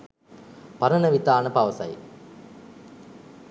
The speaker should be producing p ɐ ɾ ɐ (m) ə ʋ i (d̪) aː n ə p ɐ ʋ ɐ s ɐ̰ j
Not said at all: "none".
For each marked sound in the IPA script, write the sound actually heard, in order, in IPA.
n, t̪

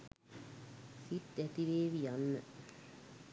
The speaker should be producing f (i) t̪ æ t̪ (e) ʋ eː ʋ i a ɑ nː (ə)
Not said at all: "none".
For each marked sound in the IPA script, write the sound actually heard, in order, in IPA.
i, i, ə

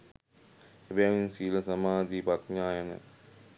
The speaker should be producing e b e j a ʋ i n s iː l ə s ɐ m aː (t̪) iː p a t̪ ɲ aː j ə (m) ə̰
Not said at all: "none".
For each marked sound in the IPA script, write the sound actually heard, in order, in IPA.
d̪, n

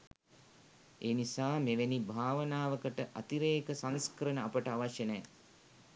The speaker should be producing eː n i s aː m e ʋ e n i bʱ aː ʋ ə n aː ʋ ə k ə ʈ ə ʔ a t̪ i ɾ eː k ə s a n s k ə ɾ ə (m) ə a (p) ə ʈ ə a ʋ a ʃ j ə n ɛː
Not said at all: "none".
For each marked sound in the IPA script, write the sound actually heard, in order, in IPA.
n, p

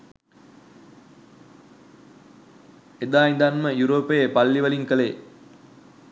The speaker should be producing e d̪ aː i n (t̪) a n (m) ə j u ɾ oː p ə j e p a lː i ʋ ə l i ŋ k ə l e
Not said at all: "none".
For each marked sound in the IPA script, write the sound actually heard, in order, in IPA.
d̪, m

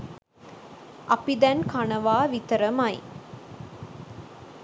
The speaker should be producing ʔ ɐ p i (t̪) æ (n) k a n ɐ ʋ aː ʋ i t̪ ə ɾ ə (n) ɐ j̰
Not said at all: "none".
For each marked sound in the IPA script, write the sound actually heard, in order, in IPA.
d̪, n, m

